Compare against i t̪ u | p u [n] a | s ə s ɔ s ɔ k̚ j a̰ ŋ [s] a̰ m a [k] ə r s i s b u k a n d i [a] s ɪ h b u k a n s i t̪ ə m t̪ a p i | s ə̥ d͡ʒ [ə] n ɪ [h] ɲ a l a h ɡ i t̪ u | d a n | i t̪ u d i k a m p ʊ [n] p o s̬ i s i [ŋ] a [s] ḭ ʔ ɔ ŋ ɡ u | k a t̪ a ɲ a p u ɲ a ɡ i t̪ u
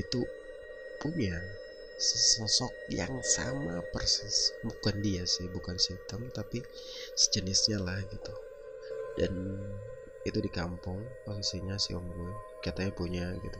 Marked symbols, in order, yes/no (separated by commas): no, yes, no, yes, yes, no, no, no, yes